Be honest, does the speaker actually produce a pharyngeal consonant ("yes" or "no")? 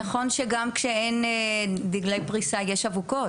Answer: no